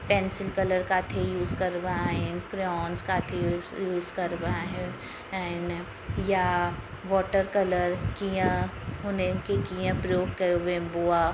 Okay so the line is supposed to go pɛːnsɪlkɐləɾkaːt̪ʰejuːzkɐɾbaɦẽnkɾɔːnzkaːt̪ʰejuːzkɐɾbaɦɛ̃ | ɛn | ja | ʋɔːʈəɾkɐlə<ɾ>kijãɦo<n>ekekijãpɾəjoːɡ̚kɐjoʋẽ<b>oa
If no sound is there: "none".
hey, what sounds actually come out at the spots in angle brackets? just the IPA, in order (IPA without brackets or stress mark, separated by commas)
ɾ, n, b